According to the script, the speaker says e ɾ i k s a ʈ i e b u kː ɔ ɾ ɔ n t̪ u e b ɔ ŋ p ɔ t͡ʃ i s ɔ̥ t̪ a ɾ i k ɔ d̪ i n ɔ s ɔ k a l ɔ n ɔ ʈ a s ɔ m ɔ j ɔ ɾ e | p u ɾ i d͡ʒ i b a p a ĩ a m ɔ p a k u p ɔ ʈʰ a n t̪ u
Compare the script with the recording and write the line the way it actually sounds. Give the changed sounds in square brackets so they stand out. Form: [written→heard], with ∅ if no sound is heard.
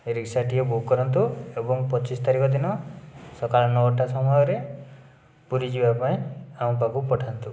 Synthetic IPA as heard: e ɾ i k s a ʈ i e b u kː ɔ ɾ ɔ n t̪ u e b ɔ ŋ p ɔ t͡ʃ i s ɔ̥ t̪ a ɾ i k ɔ d̪ i n ɔ s ɔ k a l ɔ n ɔ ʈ a s ɔ m ɔ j ɔ ɾ e | p u ɾ i d͡ʒ i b a p a ĩ a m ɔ p a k u p ɔ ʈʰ a n t̪ u